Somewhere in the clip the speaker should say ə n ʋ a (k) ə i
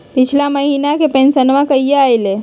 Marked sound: correct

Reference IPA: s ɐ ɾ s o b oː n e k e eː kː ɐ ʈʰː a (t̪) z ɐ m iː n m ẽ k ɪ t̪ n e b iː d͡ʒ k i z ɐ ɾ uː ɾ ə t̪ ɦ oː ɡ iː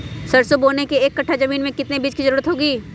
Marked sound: incorrect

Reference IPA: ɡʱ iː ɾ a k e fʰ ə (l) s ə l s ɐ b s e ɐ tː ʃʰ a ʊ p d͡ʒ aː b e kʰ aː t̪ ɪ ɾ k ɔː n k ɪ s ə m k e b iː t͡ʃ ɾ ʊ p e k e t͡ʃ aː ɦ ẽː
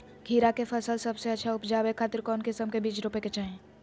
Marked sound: correct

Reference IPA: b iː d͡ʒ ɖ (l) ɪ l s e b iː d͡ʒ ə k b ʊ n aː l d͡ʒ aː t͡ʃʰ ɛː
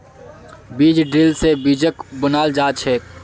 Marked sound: incorrect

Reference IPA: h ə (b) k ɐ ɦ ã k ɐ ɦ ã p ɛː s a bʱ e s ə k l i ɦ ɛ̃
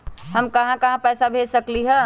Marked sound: incorrect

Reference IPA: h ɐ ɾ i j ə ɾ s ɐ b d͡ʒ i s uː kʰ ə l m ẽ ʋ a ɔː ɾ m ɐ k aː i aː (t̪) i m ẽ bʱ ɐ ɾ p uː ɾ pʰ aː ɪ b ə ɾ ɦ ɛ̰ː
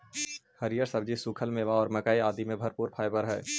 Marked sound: incorrect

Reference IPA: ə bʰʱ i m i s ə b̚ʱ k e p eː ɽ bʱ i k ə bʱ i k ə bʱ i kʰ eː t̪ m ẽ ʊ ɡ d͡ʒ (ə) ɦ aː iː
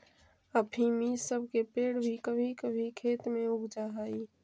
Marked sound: incorrect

